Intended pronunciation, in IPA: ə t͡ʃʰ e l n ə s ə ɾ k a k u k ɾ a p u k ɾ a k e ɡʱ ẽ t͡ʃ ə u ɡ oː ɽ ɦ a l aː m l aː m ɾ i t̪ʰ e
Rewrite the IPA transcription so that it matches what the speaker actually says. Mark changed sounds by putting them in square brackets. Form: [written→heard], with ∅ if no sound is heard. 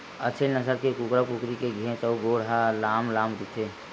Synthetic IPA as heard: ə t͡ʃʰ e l n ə s ə ɾ k [a→e] k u k ɾ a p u k ɾ [a→i] k e ɡʱ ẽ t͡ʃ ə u ɡ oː ɽ ɦ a l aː m l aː m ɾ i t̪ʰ e